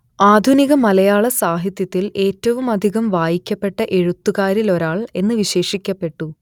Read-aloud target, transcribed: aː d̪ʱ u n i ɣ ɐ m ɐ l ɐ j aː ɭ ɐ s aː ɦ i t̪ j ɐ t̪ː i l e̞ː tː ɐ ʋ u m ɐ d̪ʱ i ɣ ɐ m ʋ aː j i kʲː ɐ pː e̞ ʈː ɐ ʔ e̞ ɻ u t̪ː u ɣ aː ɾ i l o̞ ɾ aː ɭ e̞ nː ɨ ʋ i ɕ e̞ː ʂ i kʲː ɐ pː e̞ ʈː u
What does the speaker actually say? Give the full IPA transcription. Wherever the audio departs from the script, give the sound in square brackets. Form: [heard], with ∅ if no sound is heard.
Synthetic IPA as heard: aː d̪ʱ u n i ɣ ɐ m ɐ l ɐ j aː ɭ ɐ s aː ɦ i t̪ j ɐ t̪ː i l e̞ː tː ɐ ʋ u m ɐ d̪ʱ i ɣ ɐ m ʋ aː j i kʲː ɐ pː e̞ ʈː ɐ ʔ e̞ ɻ u t̪ː u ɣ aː ɾ i l o̞ ɾ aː ɭ e̞ nː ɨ ʋ i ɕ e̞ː ʂ i kʲː ɐ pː e̞ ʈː u

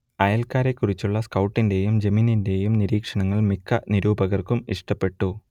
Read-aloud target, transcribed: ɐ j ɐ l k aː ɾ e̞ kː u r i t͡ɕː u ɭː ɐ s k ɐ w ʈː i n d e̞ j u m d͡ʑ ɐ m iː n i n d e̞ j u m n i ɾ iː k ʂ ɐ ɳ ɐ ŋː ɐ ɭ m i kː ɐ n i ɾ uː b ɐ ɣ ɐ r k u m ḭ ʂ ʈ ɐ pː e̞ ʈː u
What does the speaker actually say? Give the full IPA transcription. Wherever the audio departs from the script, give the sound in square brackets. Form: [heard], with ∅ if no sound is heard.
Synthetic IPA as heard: ɐ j ɐ l k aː ɾ e̞ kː u r i t͡ɕː u ɭː ɐ s k ɐ w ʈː i n d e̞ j u m d͡ʑ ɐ m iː n i n d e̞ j u m n i ɾ iː k ʂ ɐ ɳ ɐ ŋː ɐ ɭ m i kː ɐ n i ɾ uː b ɐ ɣ ɐ r k u m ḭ ʂ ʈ ɐ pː e̞ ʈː u

